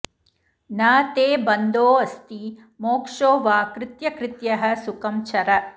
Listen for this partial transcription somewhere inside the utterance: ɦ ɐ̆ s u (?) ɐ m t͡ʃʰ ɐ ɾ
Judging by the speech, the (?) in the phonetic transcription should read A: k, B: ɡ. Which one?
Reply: A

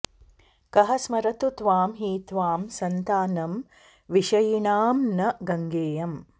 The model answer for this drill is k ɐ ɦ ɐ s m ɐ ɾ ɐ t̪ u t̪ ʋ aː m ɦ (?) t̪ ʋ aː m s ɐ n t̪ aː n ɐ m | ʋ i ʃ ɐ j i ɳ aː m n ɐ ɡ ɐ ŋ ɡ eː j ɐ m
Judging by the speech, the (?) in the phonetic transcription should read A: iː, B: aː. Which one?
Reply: A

